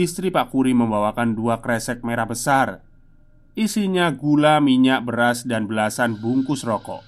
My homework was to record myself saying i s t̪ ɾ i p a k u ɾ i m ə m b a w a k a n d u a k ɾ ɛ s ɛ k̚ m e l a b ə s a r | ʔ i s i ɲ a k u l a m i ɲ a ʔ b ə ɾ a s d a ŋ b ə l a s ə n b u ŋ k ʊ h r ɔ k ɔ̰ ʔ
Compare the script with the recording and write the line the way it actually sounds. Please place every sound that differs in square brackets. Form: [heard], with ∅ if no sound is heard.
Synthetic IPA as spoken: i s t̪ ɾ i p a k u ɾ i m ə m b a w a k a n d u a k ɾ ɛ s ɛ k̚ m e [ɾ] a b ə s a r | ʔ i s i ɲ a [ɡ] u l a m i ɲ a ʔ b ə ɾ a s d a [n] b ə l a s [a] n b u ŋ k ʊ [s] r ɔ k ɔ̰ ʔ